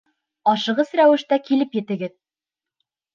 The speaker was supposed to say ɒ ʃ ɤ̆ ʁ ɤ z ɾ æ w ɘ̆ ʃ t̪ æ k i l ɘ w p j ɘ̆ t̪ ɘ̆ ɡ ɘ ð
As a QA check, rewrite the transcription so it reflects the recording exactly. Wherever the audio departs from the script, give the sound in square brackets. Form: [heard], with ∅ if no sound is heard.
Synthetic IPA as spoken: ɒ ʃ ɤ̆ ʁ ɤ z ɾ æ w ɘ̆ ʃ t̪ æ k i l ɘ [∅] p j ɘ̆ t̪ ɘ̆ ɡ ɘ ð

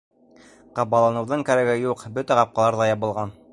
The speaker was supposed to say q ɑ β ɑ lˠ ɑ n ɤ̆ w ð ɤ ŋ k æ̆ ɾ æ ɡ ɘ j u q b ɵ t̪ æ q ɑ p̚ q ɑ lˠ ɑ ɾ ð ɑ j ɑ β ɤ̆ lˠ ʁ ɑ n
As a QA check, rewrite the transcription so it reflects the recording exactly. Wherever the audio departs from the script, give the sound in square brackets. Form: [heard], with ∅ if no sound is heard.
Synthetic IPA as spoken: q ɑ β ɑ lˠ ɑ n ɤ̆ w ð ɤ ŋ k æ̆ ɾ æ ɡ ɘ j u q b ɵ t̪ æ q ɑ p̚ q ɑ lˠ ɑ ɾ ð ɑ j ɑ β ɤ̆ lˠ ʁ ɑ n

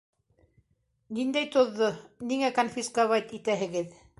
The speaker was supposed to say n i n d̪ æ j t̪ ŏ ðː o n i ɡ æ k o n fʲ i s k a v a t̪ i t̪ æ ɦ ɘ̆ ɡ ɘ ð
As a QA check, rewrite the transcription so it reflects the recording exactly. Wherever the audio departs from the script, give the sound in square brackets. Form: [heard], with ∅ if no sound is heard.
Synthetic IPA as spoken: n i n d̪ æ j t̪ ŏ ðː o n i [ŋ] æ k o n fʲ i s k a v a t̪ i t̪ æ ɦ ɘ̆ ɡ ɘ ð

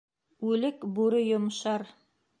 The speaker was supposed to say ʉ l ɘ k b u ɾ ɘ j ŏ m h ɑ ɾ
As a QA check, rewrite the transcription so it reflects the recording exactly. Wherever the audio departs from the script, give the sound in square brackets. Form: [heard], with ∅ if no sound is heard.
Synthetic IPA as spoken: ʉ l ɘ k b u ɾ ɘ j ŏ m [ʃ] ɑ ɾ

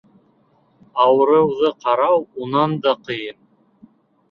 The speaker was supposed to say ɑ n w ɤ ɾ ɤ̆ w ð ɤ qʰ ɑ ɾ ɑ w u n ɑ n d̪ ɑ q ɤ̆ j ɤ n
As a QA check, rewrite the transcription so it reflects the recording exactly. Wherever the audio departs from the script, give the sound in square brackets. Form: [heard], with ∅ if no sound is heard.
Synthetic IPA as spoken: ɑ [∅] w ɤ ɾ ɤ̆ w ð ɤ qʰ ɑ ɾ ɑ w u n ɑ n d̪ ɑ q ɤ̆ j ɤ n

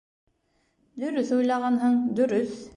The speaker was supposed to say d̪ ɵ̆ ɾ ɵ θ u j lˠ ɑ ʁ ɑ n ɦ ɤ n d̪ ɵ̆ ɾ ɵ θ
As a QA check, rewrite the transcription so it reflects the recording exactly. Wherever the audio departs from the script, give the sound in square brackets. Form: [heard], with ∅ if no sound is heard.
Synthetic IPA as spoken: d̪ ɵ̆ ɾ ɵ θ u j lˠ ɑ ʁ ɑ n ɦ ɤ [ɴ] d̪ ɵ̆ ɾ ɵ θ

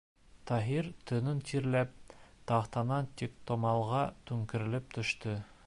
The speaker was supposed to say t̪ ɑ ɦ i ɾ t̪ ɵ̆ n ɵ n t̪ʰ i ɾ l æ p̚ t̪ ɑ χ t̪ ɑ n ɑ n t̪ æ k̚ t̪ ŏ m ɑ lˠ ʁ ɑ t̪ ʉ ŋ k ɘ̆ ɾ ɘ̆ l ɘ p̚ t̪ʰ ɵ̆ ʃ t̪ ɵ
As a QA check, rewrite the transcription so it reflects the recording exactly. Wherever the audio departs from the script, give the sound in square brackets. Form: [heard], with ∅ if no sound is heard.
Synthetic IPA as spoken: t̪ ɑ ɦ i ɾ t̪ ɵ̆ n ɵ n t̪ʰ i ɾ l æ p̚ t̪ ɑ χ t̪ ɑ n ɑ n t̪ [i] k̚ t̪ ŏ m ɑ lˠ ʁ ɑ t̪ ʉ ŋ k ɘ̆ ɾ ɘ̆ l ɘ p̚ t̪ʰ ɵ̆ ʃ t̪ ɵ

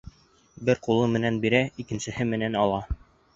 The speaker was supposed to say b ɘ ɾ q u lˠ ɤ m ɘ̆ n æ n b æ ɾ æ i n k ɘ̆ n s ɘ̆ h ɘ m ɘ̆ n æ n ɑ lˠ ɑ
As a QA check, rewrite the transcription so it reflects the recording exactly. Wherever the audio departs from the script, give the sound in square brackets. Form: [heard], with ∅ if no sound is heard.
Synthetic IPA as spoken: b ɘ ɾ q u lˠ ɤ m ɘ̆ n æ n b [i] ɾ æ i [∅] k ɘ̆ n s ɘ̆ h ɘ m ɘ̆ n æ n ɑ lˠ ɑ

